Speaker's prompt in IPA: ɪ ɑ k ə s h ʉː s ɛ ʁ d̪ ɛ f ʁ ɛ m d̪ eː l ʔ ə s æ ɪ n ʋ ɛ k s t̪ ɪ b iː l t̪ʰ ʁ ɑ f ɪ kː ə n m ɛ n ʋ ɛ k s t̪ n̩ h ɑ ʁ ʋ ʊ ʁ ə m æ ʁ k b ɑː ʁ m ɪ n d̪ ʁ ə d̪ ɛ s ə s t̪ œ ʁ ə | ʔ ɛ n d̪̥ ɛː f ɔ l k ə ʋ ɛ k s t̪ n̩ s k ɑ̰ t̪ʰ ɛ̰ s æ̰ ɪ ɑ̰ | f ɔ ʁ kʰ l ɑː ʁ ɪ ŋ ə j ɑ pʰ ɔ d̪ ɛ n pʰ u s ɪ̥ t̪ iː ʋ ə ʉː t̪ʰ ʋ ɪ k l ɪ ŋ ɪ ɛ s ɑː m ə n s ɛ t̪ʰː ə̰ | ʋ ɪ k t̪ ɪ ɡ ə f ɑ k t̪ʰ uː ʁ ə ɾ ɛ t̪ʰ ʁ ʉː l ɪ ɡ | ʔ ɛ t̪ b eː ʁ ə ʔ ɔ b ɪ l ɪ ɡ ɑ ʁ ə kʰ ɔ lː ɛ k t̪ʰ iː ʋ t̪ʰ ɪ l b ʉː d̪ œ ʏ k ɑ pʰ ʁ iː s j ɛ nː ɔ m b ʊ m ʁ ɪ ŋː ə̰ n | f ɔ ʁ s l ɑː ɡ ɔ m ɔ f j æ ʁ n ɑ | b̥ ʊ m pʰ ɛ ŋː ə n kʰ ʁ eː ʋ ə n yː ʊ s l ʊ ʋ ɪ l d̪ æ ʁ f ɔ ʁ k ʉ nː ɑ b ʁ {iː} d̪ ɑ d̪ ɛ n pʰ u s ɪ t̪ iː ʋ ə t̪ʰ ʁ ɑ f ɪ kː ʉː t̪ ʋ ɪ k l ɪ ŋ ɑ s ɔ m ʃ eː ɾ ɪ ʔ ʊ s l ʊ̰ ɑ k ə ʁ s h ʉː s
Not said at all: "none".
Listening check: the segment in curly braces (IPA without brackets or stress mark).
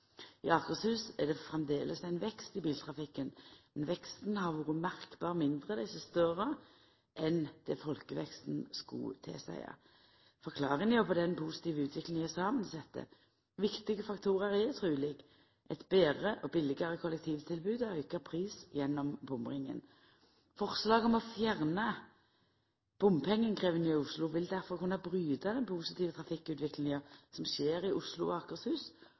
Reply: yː